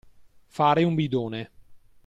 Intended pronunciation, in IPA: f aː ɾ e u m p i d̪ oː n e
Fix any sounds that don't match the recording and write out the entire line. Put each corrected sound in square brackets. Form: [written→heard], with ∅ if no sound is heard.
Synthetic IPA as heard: f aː ɾ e u m [p→b] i d̪ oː n e

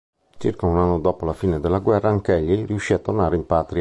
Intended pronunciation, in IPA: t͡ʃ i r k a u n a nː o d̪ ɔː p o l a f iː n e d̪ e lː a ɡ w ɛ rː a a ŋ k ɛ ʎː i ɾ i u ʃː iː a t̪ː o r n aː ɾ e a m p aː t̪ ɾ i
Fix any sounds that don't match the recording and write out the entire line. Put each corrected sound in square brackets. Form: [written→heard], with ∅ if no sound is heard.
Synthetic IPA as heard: t͡ʃ i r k a u n a nː o d̪ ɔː p o l a f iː n e d̪ e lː a ɡ w ɛ rː a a ŋ k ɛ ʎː i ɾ i u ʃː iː a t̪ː o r n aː ɾ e [a→i] m p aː t̪ ɾ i

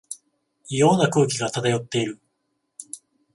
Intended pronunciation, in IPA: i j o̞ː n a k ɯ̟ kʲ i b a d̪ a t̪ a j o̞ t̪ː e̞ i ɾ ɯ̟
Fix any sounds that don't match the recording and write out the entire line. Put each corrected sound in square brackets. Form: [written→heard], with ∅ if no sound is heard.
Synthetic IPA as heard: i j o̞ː n a k [ɯ̟→ɯ̟ː] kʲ i [b→ɡ] a [d̪→t̪] a t̪ a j o̞ t̪ː e̞ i ɾ ɯ̟

